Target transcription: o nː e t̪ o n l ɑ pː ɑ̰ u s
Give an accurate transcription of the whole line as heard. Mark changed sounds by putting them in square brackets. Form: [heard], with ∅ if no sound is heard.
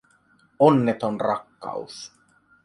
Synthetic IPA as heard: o nː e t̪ o n [r] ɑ [kː] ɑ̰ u s